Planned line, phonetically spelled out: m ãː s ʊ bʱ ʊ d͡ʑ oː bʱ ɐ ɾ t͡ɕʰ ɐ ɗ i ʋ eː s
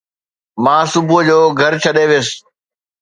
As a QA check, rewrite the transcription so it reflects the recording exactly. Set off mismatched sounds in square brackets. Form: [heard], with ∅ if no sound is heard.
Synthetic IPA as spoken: m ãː s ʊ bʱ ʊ d͡ʑ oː [ɡʱ] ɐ ɾ t͡ɕʰ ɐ ɗ [e] ʋ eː s